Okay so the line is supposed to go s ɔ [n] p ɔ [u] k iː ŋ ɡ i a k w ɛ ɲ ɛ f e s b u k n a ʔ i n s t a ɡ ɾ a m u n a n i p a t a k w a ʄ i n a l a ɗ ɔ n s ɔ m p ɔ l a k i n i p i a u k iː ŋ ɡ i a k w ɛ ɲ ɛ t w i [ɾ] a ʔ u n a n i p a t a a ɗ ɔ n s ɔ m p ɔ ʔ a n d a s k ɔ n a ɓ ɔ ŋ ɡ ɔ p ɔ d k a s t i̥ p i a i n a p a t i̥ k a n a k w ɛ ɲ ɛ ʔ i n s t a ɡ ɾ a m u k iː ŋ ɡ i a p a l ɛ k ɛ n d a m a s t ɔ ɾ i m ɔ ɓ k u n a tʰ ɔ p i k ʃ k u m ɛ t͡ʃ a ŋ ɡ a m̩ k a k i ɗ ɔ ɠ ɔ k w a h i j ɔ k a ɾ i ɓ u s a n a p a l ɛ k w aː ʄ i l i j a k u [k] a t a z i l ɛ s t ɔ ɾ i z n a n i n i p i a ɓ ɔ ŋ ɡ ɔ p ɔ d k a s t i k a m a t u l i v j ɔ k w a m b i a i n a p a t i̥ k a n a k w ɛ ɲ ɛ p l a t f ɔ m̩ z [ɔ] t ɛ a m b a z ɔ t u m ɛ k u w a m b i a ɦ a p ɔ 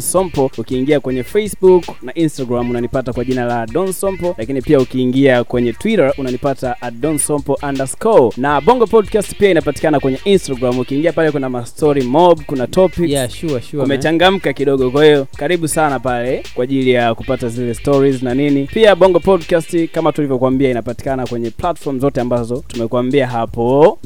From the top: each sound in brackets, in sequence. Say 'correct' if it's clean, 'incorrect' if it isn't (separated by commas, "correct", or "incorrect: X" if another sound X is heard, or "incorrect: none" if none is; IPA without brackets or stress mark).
incorrect: m, correct, correct, incorrect: p, correct